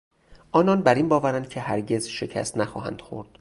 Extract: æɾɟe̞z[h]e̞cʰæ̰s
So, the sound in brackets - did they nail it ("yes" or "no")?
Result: no